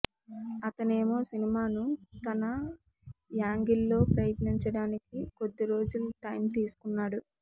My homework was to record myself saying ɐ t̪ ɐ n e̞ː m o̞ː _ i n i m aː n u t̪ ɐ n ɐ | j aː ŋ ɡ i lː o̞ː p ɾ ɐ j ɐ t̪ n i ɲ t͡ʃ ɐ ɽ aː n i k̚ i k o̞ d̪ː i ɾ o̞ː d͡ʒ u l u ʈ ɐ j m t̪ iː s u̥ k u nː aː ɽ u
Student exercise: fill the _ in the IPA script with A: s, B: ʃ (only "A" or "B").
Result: A